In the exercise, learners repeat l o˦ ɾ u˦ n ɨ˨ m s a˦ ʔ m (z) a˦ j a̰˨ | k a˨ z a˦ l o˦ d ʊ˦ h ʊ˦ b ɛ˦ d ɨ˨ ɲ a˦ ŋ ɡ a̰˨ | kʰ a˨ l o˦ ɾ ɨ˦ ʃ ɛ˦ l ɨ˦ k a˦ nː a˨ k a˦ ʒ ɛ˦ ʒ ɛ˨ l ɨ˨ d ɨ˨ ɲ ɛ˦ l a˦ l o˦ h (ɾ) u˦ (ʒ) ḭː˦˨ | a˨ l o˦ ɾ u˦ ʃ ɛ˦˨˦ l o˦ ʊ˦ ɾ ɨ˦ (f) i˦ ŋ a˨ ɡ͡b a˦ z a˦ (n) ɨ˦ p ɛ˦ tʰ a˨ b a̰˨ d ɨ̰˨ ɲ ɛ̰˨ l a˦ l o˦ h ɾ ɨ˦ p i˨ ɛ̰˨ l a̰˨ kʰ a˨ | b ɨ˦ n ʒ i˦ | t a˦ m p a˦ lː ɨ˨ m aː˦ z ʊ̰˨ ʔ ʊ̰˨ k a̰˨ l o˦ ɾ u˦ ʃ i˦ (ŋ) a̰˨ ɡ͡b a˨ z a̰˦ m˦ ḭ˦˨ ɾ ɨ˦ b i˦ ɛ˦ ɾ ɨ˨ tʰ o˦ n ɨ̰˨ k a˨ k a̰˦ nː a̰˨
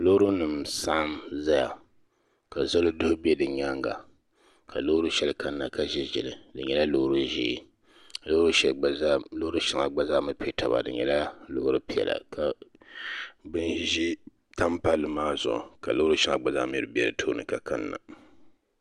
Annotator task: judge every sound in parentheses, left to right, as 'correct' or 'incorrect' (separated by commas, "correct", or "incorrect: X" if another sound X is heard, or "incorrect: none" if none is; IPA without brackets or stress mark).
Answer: correct, correct, correct, incorrect: ʃ, incorrect: m, correct